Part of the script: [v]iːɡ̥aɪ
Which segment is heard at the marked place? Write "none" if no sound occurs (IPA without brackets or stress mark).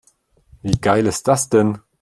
v